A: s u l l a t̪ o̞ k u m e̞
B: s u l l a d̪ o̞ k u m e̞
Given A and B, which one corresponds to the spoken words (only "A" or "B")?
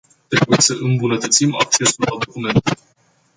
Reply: B